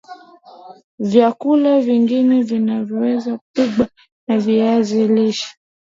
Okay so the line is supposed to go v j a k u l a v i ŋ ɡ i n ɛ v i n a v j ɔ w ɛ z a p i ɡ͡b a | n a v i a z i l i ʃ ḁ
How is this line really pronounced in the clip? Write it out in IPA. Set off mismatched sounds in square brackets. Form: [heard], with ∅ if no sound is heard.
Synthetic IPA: v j a k u l a v i ŋ ɡ i n ɛ v i n a v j ɔ w ɛ z a p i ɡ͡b a | n a v i a z i l i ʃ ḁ